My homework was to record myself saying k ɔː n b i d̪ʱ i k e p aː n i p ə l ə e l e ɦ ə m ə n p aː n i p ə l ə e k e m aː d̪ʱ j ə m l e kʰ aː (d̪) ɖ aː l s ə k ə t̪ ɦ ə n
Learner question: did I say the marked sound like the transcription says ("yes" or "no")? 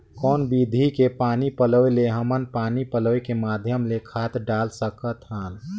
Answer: no